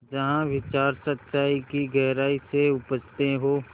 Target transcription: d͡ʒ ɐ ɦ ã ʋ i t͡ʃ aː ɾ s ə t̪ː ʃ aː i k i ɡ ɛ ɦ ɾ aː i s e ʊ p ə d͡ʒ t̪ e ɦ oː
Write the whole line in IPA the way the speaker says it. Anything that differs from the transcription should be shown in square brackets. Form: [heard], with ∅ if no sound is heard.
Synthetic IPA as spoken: d͡ʒ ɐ ɦ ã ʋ [ɪ] t͡ʃ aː ɾ s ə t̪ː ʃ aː i k i ɡ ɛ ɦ ɾ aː i s e ʊ p ə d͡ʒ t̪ e ɦ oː